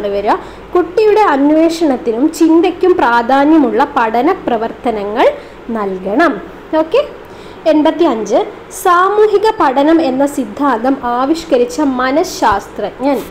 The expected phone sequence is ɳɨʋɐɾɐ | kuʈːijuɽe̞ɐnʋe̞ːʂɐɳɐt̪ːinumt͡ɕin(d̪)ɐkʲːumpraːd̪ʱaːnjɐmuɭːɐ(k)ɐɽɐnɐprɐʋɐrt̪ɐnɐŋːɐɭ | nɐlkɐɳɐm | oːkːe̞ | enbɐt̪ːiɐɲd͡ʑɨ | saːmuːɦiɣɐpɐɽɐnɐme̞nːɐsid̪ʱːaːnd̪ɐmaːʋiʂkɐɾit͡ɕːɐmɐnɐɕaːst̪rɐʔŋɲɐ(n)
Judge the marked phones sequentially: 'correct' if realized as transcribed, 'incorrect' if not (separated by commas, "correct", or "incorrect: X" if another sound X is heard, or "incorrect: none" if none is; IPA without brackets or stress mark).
correct, incorrect: p, correct